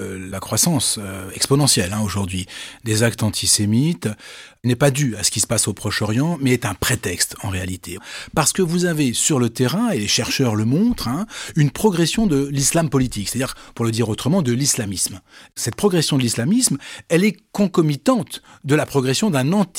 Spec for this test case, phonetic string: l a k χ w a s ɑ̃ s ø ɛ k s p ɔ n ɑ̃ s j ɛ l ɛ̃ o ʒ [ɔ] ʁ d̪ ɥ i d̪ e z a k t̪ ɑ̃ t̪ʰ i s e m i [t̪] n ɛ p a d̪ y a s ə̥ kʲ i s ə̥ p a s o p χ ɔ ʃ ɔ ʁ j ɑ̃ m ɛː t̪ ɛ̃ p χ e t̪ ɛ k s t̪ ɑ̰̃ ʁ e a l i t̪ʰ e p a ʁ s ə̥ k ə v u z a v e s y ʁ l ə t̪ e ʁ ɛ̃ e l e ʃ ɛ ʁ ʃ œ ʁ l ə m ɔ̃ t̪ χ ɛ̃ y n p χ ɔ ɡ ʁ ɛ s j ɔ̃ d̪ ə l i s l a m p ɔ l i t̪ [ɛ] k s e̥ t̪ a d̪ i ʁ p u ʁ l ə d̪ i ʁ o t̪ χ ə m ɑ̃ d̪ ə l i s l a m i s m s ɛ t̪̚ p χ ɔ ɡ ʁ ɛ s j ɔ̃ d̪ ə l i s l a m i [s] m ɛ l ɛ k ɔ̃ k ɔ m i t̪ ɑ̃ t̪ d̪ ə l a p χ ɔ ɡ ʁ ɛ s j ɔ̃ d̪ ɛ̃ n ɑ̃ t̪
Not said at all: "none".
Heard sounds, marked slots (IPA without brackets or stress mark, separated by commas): u, t̪, i, s